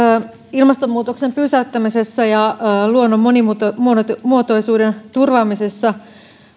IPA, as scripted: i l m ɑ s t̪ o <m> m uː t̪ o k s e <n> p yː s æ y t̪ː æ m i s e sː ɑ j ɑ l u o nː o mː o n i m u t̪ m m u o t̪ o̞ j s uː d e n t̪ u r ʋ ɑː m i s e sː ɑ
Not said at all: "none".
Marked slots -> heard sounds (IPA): m, m

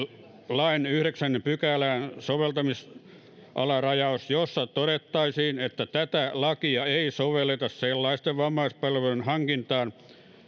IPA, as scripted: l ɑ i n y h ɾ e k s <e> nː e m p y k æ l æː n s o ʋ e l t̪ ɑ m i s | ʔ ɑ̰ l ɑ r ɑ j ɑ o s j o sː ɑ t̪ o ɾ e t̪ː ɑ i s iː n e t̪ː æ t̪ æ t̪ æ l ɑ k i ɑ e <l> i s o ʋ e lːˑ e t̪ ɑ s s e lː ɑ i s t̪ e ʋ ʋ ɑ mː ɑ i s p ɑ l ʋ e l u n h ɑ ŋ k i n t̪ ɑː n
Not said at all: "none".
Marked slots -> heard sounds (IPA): æ, none

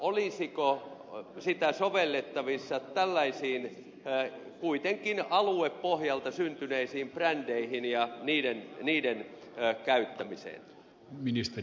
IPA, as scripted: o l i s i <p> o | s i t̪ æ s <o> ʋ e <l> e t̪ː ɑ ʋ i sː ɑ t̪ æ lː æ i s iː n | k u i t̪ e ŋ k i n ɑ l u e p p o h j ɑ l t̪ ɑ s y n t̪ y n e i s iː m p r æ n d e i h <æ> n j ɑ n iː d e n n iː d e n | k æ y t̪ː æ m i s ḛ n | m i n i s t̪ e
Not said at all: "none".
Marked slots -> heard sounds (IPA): k, o, lː, i

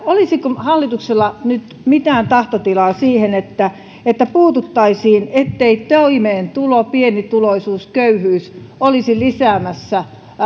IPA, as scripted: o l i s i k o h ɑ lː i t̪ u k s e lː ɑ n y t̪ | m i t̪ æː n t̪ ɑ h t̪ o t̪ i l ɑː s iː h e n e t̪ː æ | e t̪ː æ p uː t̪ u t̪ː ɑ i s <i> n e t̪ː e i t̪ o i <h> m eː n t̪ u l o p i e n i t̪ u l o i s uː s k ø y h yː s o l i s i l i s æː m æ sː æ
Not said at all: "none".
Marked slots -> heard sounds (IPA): iː, none

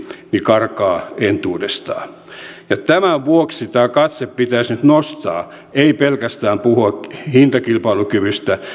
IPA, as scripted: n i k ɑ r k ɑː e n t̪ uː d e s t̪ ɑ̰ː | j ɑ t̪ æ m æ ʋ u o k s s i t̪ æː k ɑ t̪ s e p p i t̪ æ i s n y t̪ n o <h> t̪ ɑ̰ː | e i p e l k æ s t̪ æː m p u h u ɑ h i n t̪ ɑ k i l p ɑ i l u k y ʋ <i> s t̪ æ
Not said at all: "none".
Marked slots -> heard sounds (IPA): s, y

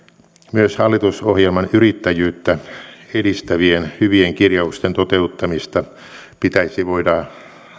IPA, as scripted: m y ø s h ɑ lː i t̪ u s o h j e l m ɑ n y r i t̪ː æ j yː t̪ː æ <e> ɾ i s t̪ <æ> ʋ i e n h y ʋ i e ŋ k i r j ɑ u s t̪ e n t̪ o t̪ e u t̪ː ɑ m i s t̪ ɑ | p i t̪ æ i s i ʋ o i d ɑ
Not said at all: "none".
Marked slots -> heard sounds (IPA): e, æ

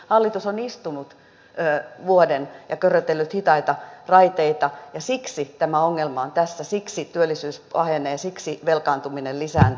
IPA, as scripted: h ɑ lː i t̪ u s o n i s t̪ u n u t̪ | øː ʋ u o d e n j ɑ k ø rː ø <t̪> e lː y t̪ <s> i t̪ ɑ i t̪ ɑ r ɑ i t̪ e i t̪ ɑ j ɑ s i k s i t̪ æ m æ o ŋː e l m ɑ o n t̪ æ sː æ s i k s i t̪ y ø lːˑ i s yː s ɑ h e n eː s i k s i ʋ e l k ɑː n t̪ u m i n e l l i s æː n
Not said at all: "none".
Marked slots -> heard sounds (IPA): t̪, h

